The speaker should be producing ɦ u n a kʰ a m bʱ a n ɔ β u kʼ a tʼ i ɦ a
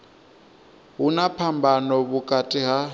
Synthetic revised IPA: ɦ u n a pʰ a m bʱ a n ɔ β u kʼ a tʼ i ɦ a